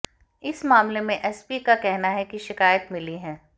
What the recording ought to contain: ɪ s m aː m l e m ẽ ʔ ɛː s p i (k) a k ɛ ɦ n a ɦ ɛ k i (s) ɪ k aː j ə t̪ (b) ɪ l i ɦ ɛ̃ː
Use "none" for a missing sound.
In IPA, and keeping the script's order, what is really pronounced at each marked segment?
k, ʃ, m

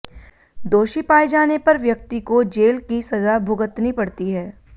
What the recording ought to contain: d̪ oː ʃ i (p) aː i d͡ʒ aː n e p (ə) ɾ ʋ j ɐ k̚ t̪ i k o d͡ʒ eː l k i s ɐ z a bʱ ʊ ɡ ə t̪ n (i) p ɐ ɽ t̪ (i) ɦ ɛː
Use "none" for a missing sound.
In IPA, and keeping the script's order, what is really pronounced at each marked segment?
p, ɐ, i, i

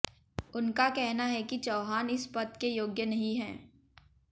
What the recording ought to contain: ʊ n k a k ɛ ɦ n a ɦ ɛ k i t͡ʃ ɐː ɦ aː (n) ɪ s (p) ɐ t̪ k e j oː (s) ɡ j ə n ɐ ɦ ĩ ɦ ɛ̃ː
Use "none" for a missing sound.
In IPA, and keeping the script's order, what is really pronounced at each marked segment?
n, p, none

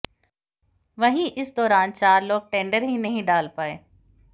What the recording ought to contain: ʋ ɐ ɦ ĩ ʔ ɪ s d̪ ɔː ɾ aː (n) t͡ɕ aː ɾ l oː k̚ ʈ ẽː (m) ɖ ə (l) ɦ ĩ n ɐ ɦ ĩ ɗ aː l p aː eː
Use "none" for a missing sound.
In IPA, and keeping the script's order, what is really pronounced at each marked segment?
n, ɳ, ɾ

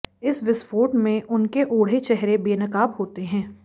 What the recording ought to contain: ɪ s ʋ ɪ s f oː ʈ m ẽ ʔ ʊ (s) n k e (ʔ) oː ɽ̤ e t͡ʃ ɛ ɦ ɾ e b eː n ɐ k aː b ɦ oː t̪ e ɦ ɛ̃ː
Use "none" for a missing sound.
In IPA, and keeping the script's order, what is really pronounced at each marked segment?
none, ʔ

